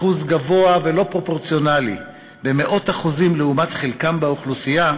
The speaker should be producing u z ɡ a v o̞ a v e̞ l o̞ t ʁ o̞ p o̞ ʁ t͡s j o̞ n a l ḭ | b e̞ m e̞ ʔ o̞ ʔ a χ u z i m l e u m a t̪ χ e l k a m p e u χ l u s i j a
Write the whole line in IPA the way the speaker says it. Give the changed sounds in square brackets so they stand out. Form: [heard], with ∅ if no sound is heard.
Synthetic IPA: u z ɡ a v o̞ a v e̞ l o̞ [p] ʁ o̞ p o̞ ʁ t͡s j o̞ n a l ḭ | b e̞ m e̞ ʔ o̞ [t] a χ u z i m l e u m a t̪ χ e l k a m [b] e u χ l u s i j a

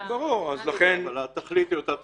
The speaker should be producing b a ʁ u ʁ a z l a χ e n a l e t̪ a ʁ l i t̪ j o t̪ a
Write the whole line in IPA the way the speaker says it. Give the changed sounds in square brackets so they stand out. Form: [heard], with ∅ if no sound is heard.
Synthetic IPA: b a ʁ u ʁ a z l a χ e n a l [a] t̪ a [χ] l i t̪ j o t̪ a

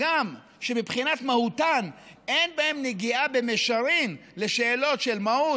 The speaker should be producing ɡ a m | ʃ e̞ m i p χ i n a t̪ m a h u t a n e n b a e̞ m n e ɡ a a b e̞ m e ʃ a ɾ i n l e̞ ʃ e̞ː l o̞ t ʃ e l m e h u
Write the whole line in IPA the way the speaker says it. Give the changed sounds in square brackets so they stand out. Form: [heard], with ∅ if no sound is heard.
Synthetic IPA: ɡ a m | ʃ e̞ m i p χ i n a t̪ m a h u t a n e n b a e̞ m n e ɡ [i] a b e̞ m e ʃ a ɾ i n l e̞ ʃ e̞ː l o̞ t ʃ e l m [a] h u

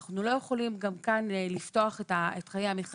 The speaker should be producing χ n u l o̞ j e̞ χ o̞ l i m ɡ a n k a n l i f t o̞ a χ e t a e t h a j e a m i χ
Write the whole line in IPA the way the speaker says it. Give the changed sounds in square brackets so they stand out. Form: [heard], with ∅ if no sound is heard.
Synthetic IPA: χ n u l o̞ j e̞ χ o̞ l i m ɡ a [m] k a n l i f t o̞ a χ e t a e t [χ] a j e a m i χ

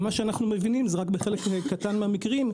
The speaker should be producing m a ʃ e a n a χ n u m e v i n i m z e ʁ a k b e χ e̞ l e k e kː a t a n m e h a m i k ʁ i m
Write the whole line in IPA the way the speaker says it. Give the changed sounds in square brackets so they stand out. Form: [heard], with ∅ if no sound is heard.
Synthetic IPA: m a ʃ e a n a χ n u m e v i n i m z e ʁ a k b e χ e̞ l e k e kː a t a n m e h a m i k ʁ i m

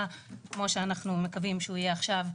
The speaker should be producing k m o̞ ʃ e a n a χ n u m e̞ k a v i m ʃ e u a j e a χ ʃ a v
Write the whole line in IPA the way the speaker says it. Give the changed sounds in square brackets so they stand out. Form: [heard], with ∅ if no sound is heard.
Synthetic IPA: k m o̞ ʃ e a n a χ n u m e̞ k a v i m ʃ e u [i] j e a χ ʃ a v

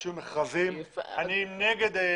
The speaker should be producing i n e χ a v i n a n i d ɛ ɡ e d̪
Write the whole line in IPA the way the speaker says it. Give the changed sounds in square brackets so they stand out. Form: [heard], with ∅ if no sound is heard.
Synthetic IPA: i [m] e χ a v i [m] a n i [n] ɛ ɡ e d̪

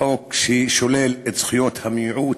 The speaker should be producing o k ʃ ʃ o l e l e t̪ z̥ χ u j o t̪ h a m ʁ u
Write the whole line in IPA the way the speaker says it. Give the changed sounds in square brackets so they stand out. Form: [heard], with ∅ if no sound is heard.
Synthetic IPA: o k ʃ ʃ o l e l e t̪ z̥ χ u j o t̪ h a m [ʕ] u

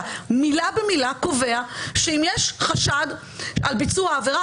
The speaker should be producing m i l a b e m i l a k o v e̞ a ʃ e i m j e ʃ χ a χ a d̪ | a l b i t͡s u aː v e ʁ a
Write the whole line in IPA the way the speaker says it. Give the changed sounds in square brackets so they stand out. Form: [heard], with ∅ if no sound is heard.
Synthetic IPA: m i l a b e m i l a k o v e̞ a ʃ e i m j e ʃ χ a [ʃ] a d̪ | a l b i t͡s u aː v e ʁ a

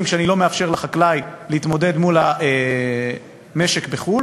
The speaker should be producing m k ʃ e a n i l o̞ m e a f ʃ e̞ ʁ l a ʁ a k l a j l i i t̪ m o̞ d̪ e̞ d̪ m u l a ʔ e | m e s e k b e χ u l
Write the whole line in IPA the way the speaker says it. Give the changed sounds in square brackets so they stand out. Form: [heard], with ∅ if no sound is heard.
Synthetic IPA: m k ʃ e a n i l o̞ m e a f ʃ e̞ ʁ l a [χ] a k l a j l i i t̪ m o̞ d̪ e̞ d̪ m u l a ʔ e | m e [ʃ] e k b e χ u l

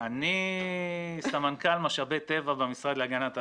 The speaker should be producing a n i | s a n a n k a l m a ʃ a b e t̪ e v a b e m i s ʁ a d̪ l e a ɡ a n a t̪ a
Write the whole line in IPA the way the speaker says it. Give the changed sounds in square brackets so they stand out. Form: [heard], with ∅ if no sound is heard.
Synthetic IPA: a n i | s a [m] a n k a l m a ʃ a b e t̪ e v a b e m i s ʁ a d̪ l e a ɡ a n a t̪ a

